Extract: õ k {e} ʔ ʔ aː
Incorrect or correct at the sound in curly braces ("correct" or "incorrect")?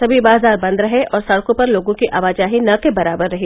incorrect